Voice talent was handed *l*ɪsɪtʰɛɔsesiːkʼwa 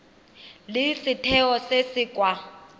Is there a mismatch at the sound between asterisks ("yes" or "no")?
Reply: no